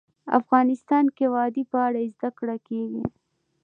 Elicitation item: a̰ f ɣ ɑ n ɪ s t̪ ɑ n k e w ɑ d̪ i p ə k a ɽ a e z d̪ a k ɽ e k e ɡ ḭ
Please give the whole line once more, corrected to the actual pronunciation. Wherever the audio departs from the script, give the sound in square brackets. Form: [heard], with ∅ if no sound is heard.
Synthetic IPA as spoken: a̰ f ɣ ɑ n ɪ s t̪ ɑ n k e w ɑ d̪ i p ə [∅] a ɽ a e z d̪ a k ɽ [a] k e ɡ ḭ